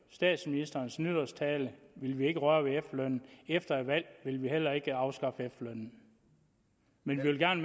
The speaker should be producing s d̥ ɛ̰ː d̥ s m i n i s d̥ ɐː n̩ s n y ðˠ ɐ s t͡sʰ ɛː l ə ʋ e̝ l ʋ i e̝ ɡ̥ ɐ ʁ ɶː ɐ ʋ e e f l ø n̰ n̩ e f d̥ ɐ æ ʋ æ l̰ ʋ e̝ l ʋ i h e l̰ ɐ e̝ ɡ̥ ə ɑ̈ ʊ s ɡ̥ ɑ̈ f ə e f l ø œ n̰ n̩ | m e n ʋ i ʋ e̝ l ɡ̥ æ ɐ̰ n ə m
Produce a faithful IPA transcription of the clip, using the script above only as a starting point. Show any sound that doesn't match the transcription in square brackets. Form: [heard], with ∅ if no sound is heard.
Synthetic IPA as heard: s d̥ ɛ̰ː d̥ s m i n i s d̥ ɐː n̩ s n y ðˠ ɐ s t͡sʰ ɛː l ə ʋ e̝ l ʋ i e̝ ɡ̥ [ə] ʁ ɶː ɐ ʋ e e f l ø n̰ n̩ e f d̥ ɐ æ ʋ æ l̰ ʋ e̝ l ʋ i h e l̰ ɐ e̝ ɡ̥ ə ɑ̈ ʊ s ɡ̥ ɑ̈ f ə e f l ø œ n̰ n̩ | m e n ʋ i ʋ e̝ l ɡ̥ æ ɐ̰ n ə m